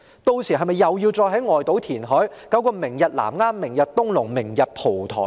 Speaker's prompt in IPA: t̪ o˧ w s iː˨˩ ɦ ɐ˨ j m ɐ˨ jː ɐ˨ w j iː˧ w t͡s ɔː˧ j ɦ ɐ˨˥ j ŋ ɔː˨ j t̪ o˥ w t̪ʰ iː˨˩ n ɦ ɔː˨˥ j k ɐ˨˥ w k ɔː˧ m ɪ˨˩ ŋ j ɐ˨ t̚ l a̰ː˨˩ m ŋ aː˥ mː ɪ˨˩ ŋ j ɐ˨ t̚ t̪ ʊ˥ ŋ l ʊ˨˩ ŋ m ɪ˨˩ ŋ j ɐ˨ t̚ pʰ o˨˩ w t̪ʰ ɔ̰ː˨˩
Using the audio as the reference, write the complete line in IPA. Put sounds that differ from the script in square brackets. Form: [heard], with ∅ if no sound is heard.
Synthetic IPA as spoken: t̪ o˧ w s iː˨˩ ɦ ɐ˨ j m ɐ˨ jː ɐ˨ w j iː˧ w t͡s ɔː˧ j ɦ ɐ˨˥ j ŋ ɔː˨ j t̪ [o˨˥] w t̪ʰ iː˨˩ n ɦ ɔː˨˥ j k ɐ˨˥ w k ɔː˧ m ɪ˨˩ ŋ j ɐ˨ t̚ l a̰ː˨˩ m ŋ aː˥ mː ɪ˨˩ ŋ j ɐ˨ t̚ t̪ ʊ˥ ŋ l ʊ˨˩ ŋ m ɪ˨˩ ŋ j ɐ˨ t̚ pʰ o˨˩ w t̪ʰ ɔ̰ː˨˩